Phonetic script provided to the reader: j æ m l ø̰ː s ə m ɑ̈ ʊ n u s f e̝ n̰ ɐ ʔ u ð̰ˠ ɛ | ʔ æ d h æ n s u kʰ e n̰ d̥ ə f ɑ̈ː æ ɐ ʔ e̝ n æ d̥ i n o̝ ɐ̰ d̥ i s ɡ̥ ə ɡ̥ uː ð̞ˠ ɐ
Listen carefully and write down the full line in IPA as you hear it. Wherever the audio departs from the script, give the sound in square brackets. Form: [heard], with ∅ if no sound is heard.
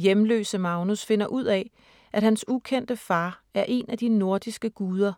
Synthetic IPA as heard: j [e] m l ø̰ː s ə m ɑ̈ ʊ n u s f e̝ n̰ ɐ ʔ u ð̰ˠ ɛ | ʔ æ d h æ n s u kʰ e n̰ d̥ ə f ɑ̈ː æ ɐ ʔ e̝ n æ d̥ i n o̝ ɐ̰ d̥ i s ɡ̥ ə ɡ̥ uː ð̞ˠ ɐ

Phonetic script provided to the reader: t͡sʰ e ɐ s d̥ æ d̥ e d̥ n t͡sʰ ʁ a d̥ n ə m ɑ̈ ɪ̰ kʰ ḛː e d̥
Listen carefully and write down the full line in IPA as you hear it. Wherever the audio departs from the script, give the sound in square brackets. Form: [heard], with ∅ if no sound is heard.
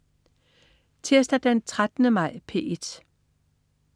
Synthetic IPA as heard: t͡sʰ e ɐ s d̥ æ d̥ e [∅] n t͡sʰ ʁ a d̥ n ə m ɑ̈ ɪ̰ [pʰ] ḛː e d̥

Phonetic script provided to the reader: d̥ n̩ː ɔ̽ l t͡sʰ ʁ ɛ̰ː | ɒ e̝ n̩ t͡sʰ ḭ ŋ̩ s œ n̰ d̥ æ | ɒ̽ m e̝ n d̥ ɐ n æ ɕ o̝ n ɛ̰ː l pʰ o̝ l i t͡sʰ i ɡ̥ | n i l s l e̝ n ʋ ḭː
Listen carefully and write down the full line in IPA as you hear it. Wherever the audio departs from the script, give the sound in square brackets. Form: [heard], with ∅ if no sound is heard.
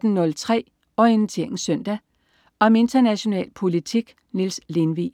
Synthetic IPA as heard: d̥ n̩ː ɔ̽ l t͡sʰ ʁ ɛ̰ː | ɒ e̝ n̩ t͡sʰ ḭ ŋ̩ s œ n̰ d̥ æ | ɒ̽ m e̝ n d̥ ɐ n æ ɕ o̝ n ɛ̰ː l pʰ o̝ l i t͡sʰ i ɡ̥ | n i l s l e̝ n ʋ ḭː

